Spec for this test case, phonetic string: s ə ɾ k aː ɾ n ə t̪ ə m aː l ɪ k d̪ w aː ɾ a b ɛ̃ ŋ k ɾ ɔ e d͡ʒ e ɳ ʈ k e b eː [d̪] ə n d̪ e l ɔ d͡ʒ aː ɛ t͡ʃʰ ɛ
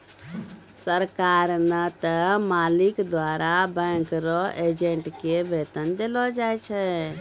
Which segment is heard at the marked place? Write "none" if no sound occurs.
t̪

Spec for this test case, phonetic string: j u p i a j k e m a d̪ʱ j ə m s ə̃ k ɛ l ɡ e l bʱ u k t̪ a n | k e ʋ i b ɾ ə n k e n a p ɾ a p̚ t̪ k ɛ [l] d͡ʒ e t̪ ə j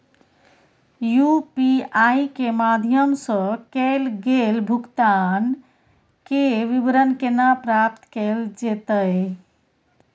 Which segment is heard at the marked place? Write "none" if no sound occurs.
l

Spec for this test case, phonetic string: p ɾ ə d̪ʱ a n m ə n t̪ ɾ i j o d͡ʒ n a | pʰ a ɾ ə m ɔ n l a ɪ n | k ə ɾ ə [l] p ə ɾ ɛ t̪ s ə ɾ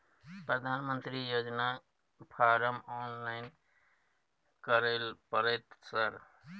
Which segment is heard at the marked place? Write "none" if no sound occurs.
l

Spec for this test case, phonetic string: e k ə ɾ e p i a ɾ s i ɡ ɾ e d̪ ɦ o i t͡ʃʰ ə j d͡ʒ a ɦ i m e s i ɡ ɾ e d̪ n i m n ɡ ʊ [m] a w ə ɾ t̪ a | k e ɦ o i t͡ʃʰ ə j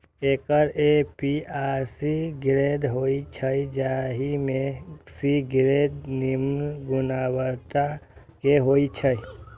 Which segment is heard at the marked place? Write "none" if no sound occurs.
n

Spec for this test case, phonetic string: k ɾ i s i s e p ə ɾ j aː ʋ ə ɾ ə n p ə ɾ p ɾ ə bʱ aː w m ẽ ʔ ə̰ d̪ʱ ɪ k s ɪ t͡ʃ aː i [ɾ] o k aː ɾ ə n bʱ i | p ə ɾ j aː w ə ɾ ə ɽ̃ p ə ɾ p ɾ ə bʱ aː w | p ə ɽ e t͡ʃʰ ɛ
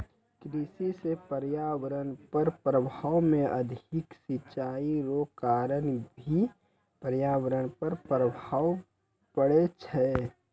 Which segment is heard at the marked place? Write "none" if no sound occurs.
ɾ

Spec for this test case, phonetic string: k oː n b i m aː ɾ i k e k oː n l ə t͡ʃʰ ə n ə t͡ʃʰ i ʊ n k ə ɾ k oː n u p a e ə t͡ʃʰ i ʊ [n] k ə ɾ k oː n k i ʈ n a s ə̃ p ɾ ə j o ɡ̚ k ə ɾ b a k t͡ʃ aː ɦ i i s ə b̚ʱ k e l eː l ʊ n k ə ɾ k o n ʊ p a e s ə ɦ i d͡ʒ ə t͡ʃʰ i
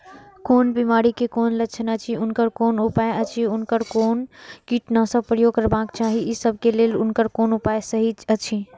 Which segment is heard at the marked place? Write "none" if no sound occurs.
n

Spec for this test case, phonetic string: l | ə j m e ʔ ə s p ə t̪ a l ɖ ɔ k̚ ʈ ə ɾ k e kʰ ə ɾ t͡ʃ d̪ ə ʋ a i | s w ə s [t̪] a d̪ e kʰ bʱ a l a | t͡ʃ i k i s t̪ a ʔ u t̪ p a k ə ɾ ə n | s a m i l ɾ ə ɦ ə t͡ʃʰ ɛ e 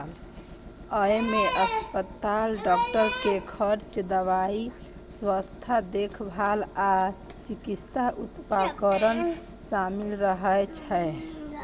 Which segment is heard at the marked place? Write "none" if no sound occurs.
t̪ʰ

